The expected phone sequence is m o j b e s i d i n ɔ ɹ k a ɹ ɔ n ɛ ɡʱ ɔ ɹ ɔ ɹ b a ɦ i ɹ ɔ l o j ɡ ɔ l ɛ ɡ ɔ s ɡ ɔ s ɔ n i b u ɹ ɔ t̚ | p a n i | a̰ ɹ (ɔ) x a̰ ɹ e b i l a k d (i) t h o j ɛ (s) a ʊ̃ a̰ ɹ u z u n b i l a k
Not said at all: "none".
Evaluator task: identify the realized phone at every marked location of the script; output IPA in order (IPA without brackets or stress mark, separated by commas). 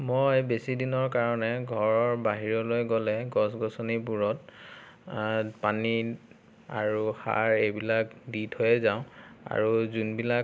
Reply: u, i, z